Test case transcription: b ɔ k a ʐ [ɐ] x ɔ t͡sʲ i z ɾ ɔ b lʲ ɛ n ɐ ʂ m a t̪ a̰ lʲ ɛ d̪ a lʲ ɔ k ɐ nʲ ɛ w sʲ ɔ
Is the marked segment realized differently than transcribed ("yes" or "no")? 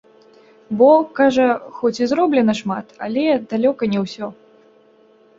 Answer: no